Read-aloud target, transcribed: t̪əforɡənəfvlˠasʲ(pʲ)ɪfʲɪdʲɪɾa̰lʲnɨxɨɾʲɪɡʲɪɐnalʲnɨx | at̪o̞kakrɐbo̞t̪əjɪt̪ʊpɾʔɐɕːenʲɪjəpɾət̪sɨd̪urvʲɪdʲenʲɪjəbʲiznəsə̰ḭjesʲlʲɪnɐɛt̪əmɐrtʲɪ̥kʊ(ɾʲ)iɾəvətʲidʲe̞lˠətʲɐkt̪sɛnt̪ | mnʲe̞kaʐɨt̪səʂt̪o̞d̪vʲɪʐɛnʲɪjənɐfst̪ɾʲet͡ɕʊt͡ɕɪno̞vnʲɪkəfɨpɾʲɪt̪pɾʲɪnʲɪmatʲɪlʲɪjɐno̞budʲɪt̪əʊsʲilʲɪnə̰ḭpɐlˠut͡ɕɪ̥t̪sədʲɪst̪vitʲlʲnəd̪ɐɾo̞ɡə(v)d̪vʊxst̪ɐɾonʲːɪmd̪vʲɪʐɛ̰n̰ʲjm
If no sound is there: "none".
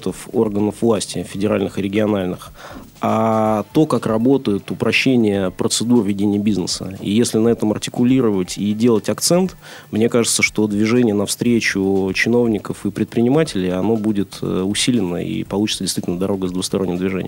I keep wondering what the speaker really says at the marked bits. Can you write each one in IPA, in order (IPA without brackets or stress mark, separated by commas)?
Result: tʲ, lʲ, z